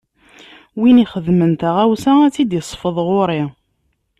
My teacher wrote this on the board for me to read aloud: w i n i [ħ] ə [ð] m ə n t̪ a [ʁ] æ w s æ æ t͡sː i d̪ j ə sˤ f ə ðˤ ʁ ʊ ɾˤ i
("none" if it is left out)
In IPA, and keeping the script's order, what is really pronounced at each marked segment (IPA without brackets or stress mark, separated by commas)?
χ, ð, ʁ